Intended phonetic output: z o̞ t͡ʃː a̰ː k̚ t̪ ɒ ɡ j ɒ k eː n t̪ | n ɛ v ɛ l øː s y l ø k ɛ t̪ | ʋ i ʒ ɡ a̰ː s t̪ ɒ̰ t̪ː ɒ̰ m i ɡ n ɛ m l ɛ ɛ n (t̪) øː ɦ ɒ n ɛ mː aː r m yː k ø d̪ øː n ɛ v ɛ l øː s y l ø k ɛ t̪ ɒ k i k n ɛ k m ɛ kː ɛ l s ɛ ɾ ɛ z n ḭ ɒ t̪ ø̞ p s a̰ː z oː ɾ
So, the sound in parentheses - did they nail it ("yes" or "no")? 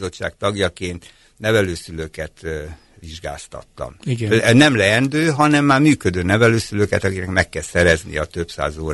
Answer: no